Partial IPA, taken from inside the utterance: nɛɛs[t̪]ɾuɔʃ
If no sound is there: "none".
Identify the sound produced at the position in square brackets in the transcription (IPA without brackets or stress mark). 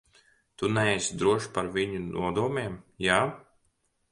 d̪